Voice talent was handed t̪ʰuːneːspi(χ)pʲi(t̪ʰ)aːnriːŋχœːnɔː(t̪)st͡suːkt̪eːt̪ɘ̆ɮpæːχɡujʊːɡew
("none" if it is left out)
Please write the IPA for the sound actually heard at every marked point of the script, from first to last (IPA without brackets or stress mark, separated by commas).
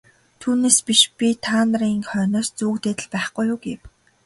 ʃ, t̪ʰ, none